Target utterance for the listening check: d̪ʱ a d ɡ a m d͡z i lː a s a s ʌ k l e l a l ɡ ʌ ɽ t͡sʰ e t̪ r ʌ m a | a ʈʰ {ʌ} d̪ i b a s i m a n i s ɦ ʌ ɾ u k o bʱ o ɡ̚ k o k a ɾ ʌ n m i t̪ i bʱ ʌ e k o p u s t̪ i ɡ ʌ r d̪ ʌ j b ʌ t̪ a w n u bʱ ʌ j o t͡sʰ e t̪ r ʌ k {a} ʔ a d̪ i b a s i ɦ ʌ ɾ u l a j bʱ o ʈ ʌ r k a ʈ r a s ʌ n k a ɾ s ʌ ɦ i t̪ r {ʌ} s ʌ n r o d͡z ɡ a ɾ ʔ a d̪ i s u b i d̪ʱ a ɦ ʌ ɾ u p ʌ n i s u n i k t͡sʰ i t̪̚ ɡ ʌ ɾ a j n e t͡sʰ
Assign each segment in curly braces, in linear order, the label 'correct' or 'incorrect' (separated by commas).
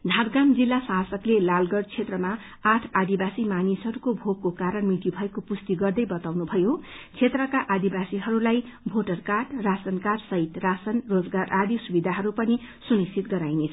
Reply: incorrect, correct, incorrect